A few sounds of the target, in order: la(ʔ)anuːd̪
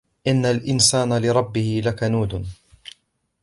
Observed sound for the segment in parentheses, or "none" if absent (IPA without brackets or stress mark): k